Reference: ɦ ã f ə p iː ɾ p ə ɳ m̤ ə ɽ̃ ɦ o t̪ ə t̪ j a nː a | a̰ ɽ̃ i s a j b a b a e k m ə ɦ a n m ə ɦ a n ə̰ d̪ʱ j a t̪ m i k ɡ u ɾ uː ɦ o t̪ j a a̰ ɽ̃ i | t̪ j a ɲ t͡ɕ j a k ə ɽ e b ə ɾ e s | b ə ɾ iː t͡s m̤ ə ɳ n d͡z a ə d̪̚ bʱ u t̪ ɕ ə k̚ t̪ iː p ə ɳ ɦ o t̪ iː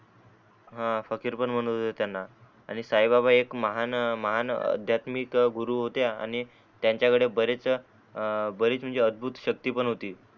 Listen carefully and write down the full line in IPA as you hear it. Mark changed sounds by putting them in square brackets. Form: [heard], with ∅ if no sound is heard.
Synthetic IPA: ɦ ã f ə [k] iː ɾ p ə ɳ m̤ ə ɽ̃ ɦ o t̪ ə t̪ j a nː a | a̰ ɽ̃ i s a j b a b a e k m ə ɦ a n m ə ɦ a n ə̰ d̪ʱ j a t̪ m i k ɡ u ɾ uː ɦ o t̪ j a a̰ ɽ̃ i | t̪ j a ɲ t͡ɕ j a k ə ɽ e b ə ɾ e [t͡s] | b ə ɾ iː t͡s m̤ ə ɳ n d͡z [e] ə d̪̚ bʱ u t̪ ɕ ə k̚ t̪ iː p ə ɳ ɦ o t̪ iː